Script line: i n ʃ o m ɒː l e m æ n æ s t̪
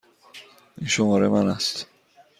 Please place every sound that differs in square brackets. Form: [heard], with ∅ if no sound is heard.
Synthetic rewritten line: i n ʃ o m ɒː [ɾ] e m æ n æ s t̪